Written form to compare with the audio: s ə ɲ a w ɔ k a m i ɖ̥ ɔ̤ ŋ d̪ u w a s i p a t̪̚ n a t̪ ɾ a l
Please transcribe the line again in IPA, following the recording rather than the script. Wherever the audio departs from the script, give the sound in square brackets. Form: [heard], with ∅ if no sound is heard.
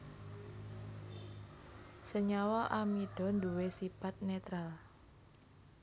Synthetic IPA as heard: s ə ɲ a w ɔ [ʔ] a m i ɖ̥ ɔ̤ [n] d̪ u w [e] s i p a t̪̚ n [e] t̪ ɾ a l